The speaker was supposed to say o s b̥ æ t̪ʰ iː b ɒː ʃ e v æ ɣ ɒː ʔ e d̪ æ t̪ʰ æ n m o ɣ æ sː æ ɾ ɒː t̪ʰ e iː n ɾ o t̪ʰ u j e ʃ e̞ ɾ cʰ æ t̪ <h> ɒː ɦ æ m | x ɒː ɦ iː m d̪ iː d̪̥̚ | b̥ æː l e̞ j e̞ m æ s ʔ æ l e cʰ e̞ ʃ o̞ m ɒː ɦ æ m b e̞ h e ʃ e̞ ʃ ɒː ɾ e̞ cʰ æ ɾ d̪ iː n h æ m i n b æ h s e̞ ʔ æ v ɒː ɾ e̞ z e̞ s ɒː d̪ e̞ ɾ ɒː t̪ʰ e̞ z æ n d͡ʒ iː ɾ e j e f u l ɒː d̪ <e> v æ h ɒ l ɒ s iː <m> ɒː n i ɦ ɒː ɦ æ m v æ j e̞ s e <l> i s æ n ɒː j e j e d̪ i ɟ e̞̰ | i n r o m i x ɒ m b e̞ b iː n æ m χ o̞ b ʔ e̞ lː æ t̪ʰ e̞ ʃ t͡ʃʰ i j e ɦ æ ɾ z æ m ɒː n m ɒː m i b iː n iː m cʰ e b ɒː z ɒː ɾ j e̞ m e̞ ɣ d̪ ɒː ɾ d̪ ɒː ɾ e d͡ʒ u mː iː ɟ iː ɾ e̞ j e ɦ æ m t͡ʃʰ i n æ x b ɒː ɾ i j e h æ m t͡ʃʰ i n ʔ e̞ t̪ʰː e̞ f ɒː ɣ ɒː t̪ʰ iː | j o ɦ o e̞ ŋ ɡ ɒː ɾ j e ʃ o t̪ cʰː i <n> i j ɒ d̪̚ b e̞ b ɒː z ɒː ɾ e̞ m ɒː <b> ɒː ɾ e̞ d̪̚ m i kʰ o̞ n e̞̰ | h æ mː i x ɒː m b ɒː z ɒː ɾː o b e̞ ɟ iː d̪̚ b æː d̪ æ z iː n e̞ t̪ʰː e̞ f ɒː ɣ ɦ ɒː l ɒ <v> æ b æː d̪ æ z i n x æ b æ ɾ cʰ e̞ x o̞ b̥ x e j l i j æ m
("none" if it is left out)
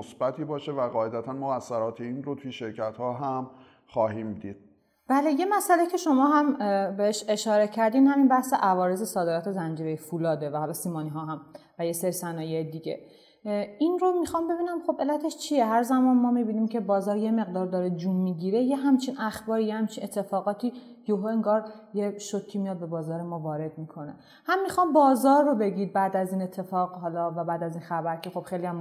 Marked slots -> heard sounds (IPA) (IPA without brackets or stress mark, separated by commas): h, e, m, ɾ, m, v, v